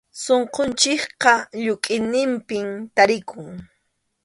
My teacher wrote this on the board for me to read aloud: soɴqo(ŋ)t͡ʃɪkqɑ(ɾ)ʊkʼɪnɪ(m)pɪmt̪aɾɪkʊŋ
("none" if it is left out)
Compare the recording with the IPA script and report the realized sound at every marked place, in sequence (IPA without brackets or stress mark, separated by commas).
n, ʎ, m